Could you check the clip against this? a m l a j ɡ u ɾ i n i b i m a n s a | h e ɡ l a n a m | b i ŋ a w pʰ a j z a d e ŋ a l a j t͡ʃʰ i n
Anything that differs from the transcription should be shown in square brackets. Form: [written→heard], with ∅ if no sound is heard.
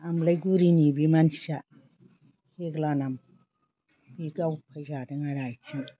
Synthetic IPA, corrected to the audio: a m l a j ɡ u ɾ i n i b i m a n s a | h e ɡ l a n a m | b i [ŋ→ɡ] a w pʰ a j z a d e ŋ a [l→ɾ] a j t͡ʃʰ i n